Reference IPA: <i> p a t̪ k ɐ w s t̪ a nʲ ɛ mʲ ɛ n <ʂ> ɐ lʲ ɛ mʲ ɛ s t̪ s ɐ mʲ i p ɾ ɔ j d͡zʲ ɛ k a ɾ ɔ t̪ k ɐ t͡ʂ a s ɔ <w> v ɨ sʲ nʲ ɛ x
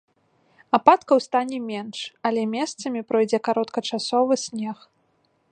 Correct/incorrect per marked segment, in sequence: incorrect: a, correct, incorrect: none

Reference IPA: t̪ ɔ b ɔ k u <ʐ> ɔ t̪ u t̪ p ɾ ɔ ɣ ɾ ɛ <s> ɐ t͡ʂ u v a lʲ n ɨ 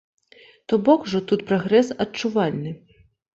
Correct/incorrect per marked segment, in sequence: correct, correct

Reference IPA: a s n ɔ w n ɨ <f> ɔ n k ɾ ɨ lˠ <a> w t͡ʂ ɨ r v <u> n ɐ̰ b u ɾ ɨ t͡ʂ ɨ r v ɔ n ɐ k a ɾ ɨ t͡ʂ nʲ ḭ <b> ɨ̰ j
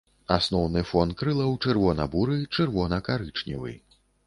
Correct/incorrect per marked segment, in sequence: correct, incorrect: ɐ, incorrect: ɔ, incorrect: v

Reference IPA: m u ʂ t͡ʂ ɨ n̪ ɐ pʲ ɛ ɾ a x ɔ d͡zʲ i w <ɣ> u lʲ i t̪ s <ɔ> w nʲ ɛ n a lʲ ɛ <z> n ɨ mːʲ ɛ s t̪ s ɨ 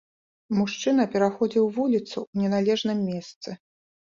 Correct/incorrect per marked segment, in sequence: incorrect: v, incorrect: u, incorrect: ʐ

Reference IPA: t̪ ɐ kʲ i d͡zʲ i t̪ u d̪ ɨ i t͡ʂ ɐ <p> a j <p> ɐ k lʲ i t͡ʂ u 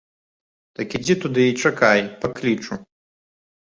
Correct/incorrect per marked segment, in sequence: incorrect: k, correct

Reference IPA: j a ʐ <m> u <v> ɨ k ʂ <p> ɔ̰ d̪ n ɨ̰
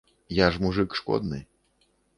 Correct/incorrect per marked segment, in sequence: correct, incorrect: ʐ, incorrect: k

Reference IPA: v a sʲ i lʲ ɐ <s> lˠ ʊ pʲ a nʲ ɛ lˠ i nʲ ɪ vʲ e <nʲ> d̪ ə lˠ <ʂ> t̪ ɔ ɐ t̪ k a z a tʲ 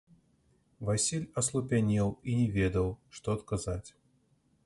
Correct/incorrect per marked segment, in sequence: correct, incorrect: none, correct

